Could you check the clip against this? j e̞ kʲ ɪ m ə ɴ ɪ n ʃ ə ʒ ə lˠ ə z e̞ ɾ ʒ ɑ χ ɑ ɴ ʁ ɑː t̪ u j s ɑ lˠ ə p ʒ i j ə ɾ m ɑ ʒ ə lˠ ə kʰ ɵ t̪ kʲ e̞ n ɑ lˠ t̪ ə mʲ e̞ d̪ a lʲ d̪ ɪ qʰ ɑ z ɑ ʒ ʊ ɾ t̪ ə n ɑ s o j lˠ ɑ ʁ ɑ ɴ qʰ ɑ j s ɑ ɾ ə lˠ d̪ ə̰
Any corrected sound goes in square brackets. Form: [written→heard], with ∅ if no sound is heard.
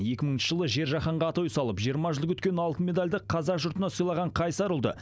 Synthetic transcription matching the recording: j e̞ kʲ ɪ m ə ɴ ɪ n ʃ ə ʒ ə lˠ ə [z→ʒ] e̞ ɾ ʒ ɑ χ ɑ ɴ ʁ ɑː t̪ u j s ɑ lˠ ə p ʒ i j ə ɾ m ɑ ʒ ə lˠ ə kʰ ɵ t̪ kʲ e̞ n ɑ lˠ t̪ ə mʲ e̞ d̪ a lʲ d̪ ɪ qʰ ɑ z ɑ ʒ ʊ ɾ t̪ ə n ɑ s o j lˠ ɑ ʁ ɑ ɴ qʰ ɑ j s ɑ ɾ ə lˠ d̪ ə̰